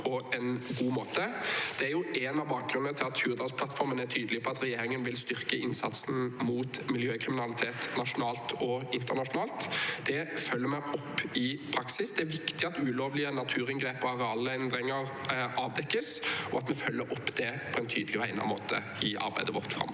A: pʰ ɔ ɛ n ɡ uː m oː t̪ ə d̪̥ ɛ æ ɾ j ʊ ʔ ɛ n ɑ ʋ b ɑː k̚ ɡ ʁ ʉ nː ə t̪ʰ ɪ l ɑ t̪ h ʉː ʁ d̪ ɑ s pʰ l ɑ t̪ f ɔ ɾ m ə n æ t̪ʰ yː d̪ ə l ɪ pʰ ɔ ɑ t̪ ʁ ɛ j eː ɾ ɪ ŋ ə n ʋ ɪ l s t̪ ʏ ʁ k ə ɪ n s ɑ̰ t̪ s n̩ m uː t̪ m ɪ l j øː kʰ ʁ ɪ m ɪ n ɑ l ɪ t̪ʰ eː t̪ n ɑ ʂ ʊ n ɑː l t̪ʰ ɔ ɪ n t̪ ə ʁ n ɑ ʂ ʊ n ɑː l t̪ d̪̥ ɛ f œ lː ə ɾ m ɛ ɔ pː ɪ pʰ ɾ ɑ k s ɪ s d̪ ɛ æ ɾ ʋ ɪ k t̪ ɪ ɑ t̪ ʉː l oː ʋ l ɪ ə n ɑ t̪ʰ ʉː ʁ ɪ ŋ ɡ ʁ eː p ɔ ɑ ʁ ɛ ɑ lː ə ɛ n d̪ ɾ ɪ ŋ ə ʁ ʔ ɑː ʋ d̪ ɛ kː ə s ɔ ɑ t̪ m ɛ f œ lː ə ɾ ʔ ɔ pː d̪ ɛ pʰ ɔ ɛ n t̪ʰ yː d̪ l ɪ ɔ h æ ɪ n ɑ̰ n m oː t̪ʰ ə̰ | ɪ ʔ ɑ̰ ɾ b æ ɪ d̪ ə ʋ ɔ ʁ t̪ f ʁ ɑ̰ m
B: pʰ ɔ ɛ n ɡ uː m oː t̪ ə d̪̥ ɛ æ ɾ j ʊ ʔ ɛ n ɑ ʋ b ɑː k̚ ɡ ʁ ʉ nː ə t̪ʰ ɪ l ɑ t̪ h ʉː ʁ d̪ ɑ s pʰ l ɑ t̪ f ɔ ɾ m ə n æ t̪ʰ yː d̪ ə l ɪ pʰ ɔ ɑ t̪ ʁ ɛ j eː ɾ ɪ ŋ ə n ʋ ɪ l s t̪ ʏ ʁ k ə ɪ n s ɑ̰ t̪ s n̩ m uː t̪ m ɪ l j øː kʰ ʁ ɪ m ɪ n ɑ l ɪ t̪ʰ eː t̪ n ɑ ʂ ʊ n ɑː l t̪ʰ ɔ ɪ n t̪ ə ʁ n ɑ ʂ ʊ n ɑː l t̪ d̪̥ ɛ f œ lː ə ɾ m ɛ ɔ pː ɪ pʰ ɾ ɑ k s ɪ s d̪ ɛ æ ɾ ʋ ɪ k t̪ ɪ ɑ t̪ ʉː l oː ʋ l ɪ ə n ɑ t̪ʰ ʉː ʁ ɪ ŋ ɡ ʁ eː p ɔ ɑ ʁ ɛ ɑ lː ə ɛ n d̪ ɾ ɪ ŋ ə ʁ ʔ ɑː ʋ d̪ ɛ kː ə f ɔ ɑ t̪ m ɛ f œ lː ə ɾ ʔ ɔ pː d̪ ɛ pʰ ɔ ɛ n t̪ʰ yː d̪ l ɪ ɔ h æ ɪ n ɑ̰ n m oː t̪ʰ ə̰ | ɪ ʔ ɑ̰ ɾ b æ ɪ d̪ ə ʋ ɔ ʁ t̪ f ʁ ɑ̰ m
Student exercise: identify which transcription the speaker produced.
A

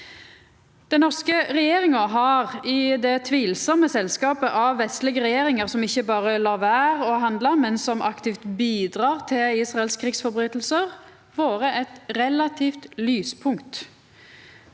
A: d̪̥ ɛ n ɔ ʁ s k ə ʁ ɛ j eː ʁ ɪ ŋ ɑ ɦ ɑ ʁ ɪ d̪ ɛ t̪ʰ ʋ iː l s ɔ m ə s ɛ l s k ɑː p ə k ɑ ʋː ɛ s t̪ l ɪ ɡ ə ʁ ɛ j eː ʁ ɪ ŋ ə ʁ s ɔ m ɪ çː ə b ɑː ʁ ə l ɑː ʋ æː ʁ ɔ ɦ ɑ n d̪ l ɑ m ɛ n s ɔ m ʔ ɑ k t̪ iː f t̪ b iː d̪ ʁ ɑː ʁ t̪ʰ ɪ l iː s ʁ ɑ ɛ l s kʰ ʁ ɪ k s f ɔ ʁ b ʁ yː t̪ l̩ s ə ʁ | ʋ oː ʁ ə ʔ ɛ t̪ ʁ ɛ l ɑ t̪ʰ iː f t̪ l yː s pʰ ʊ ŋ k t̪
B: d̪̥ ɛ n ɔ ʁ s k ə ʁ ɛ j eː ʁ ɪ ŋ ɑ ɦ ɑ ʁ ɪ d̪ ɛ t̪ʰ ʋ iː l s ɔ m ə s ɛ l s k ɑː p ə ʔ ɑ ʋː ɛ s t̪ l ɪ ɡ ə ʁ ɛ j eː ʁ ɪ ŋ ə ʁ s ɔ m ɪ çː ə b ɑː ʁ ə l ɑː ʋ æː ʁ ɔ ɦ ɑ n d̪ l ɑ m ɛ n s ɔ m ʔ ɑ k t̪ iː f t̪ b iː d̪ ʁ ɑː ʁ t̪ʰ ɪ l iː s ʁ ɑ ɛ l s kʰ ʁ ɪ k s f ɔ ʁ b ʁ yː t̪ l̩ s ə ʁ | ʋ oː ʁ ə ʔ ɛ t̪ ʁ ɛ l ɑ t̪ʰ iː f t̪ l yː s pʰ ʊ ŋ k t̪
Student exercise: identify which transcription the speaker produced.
B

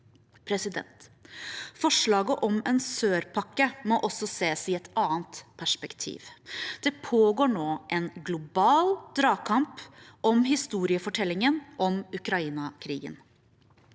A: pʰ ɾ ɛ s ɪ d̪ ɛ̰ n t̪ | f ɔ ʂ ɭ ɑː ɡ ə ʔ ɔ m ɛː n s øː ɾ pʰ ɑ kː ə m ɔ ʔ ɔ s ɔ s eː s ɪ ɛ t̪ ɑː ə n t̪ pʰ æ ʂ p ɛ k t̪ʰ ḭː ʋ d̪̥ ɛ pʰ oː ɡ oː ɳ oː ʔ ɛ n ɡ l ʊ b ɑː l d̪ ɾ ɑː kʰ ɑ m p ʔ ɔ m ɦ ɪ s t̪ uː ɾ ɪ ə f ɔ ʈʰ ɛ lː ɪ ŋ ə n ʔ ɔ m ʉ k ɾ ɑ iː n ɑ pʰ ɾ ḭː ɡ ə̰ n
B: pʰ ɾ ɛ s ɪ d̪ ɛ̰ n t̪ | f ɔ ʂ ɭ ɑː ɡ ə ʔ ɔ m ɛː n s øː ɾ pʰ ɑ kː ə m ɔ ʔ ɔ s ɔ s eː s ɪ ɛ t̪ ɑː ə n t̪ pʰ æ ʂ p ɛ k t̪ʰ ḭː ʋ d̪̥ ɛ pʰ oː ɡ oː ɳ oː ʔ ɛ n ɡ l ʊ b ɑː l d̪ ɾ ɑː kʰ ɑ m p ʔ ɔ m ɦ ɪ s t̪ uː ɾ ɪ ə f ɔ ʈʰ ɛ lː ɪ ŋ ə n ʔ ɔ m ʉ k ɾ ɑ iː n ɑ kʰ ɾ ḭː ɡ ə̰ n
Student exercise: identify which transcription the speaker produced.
B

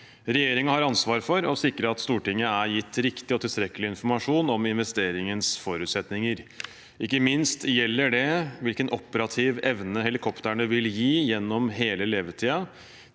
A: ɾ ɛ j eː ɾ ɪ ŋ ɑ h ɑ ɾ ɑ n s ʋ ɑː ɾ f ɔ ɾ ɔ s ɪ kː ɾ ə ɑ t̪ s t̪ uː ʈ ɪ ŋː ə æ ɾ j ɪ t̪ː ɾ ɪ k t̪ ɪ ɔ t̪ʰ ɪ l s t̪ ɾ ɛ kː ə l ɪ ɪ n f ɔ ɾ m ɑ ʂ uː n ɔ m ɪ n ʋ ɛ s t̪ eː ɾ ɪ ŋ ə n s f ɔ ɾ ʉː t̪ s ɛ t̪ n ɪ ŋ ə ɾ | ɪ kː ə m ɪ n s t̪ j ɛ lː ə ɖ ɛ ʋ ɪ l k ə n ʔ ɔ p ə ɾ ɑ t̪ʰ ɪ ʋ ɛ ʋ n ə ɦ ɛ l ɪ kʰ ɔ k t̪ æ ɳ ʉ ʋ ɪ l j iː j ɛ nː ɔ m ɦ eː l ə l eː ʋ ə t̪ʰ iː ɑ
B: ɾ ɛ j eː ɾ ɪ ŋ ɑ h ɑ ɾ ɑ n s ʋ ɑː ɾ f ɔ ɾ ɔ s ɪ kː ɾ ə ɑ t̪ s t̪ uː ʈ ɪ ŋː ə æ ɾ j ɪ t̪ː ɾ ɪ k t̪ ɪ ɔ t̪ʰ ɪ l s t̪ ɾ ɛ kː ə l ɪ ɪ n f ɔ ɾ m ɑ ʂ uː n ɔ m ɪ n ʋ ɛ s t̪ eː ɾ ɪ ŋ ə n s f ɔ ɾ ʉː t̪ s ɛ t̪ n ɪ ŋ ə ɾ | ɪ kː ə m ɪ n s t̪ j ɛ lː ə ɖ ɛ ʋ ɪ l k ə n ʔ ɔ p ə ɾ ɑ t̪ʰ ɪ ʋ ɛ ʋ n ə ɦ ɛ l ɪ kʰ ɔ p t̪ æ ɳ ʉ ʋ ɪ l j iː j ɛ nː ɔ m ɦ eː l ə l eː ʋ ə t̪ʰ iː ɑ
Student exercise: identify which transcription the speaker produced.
B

